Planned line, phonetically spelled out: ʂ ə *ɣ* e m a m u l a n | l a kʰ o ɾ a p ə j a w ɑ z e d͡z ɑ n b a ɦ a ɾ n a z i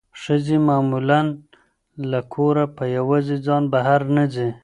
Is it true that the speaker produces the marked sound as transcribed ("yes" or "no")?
no